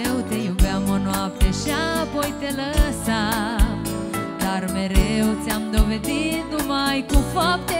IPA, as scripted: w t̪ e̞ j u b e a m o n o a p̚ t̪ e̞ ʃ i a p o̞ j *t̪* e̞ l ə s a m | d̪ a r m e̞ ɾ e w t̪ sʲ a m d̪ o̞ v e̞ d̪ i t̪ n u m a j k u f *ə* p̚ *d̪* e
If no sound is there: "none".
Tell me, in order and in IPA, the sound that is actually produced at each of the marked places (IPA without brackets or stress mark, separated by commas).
t̪, a, t̪